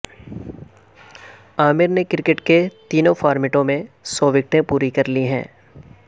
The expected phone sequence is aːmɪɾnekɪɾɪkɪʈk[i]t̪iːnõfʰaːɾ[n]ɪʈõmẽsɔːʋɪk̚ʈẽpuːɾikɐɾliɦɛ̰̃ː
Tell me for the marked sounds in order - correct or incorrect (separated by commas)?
incorrect, incorrect